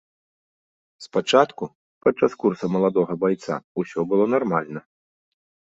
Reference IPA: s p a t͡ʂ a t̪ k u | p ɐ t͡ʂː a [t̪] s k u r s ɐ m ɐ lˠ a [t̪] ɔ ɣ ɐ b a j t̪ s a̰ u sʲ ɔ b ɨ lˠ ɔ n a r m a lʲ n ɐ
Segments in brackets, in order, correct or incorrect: incorrect: none, incorrect: d̪

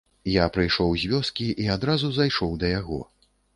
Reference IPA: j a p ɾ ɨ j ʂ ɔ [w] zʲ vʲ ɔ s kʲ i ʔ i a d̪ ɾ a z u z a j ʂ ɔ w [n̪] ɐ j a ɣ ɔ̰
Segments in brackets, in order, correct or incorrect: correct, incorrect: d̪

